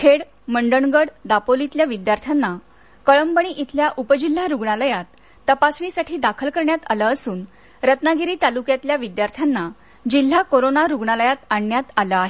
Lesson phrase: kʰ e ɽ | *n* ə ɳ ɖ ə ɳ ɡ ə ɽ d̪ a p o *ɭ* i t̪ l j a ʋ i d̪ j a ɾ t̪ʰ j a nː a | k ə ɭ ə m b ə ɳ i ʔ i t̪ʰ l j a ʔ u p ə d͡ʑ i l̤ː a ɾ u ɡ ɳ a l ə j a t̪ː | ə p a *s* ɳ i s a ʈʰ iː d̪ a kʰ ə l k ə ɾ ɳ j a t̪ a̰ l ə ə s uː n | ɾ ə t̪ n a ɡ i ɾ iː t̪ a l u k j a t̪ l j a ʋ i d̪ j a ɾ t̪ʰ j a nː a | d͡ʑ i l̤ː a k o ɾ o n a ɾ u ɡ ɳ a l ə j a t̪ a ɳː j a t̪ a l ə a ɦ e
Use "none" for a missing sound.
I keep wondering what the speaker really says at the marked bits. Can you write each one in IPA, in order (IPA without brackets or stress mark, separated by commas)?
m, l, s